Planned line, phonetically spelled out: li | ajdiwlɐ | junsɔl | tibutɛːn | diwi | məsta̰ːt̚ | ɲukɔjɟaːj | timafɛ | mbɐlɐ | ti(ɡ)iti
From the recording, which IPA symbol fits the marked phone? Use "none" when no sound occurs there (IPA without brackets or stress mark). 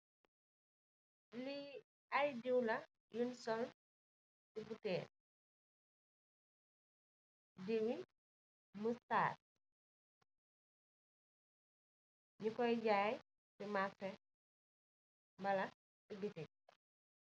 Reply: ɡ